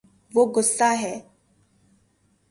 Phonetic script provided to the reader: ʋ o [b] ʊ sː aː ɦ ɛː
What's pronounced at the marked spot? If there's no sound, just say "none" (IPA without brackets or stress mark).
ɡ